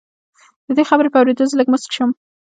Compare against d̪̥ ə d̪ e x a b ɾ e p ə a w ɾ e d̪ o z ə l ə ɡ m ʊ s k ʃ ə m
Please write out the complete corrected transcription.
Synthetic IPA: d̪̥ ə d̪ e x a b ɾ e p ə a w ɾ e d̪ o z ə l ə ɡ m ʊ s k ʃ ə m